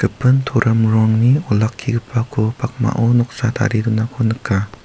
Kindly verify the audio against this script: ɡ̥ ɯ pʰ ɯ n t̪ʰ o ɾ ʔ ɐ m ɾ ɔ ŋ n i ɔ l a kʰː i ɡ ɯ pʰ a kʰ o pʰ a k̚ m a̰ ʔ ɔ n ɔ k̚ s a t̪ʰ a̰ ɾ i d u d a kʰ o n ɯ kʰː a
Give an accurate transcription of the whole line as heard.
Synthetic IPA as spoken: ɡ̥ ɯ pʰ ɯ n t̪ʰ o ɾ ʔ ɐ m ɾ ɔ ŋ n i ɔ l a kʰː i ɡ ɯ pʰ a kʰ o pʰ a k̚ m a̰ ʔ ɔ n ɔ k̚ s a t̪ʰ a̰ ɾ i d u n a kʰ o n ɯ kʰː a